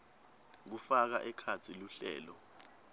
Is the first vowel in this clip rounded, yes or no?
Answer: yes